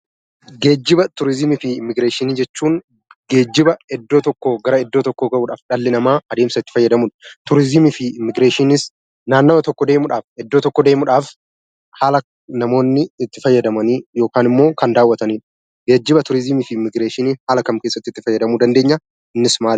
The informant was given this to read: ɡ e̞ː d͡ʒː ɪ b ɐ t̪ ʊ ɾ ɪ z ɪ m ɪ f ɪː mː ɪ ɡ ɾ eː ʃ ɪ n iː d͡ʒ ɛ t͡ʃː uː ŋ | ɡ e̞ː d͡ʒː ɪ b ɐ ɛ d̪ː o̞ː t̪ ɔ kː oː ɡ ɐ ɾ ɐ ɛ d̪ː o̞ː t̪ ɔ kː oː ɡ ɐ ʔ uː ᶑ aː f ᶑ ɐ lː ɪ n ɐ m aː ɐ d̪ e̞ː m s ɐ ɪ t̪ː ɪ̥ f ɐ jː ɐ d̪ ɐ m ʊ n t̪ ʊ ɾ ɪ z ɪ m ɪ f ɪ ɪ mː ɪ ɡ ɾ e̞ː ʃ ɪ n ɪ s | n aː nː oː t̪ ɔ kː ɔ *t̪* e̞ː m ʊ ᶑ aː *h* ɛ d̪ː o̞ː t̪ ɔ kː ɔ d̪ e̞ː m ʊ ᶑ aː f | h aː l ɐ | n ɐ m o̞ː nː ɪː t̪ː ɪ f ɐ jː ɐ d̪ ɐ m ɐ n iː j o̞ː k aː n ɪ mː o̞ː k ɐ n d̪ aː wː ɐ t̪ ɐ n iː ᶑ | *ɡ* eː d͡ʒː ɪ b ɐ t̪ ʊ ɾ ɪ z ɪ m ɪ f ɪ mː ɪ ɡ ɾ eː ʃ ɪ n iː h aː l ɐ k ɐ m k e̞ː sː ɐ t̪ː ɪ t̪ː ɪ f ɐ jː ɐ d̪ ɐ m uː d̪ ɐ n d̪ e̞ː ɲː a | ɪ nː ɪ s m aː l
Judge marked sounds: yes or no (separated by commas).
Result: no, no, yes